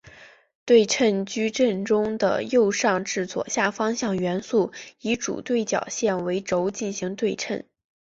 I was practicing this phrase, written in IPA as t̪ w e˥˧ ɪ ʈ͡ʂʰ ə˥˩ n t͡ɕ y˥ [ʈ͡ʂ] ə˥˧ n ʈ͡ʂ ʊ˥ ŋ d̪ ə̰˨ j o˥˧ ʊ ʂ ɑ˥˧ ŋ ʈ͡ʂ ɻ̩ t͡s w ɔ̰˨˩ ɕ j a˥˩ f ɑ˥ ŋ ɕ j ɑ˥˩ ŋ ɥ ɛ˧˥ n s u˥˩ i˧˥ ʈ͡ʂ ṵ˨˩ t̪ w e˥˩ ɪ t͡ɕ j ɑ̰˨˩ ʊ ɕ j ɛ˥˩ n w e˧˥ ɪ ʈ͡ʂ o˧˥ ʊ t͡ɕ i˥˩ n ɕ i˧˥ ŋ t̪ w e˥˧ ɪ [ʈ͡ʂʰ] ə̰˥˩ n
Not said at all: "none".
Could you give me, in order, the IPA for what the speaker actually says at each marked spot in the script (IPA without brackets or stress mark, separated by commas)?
ʈ͡ʂ, ʈ͡ʂʰ